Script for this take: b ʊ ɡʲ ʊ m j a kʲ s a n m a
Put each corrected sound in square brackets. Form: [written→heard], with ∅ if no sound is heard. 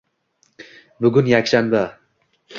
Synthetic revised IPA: b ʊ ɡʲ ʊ [m→n] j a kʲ [s→ʃ] a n [m→b] a